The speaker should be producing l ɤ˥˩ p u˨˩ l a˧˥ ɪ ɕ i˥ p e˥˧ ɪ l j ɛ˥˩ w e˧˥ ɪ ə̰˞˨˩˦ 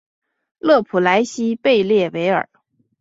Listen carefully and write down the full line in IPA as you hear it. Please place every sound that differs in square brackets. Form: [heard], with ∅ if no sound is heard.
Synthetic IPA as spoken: l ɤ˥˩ [pʰ] u˨˩ l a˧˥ ɪ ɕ i˥ p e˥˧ ɪ l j ɛ˥˩ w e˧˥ ɪ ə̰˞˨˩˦